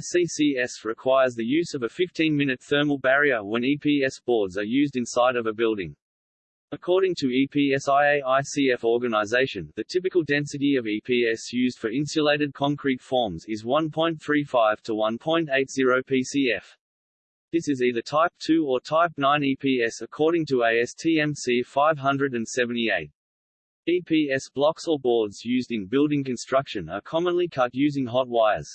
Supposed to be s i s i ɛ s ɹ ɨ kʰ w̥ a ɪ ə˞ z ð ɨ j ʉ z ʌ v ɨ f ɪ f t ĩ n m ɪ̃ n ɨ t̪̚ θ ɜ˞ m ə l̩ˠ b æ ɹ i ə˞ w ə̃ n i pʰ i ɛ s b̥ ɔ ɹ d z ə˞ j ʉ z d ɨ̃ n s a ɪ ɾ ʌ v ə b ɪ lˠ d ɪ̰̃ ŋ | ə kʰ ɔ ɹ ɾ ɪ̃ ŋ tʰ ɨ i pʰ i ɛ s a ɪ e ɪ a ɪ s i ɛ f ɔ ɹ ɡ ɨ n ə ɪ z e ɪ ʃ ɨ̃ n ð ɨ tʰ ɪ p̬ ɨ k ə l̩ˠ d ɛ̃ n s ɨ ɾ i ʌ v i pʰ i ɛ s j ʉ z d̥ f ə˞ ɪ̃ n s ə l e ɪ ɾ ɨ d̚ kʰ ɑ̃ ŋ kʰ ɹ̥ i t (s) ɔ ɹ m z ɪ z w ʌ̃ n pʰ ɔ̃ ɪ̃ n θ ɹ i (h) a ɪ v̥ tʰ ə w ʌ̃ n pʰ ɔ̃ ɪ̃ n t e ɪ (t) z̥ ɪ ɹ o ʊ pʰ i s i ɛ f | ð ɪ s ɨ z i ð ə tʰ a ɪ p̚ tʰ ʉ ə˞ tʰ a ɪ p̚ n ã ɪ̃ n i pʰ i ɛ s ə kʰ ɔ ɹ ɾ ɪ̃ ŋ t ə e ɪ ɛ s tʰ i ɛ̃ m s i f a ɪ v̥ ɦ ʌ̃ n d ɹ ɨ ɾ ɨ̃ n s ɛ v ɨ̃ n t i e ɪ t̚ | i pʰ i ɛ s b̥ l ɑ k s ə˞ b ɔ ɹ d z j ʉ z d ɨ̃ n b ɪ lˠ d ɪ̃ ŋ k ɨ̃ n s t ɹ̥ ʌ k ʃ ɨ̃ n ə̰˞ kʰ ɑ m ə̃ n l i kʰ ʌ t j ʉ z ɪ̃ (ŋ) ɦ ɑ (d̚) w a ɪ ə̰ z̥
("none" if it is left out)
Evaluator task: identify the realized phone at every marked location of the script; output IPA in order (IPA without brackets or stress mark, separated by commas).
f, f, t, ŋ, t̚